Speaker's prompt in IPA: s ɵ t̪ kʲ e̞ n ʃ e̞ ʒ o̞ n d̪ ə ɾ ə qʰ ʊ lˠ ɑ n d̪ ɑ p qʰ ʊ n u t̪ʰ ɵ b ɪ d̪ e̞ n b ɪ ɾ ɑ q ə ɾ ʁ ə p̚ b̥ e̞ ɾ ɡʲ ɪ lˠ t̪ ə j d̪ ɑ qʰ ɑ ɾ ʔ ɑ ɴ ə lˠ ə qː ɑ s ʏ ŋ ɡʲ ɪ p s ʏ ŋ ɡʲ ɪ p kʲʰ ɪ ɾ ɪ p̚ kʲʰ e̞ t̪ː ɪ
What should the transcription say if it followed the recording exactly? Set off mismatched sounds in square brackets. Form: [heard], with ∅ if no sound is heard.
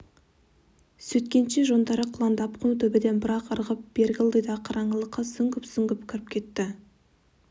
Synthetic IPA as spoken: s ɵ t̪ kʲ e̞ n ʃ e̞ ʒ o̞ n d̪ [ɑ] ɾ ə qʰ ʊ lˠ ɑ n d̪ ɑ p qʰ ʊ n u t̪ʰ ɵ b ɪ d̪ e̞ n b ɪ ɾ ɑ q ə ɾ ʁ ə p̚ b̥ e̞ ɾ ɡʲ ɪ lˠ [d̪] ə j d̪ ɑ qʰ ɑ ɾ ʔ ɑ ɴ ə lˠ ə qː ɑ s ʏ ŋ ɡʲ ɪ p s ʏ ŋ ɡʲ ɪ p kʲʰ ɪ ɾ ɪ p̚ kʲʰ e̞ t̪ː ɪ